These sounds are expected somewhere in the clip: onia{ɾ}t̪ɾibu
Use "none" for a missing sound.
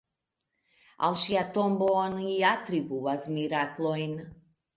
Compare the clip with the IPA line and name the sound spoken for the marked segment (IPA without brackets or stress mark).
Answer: none